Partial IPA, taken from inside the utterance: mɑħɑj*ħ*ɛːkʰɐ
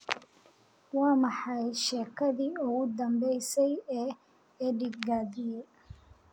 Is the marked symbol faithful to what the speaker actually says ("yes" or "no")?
no